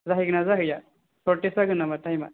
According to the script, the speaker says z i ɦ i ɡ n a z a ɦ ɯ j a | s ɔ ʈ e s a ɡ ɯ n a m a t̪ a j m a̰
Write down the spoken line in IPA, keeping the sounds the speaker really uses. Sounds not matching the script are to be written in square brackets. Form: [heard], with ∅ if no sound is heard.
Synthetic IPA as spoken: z [a] ɦ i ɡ n a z a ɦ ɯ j a | s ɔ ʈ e s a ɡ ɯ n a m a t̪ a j m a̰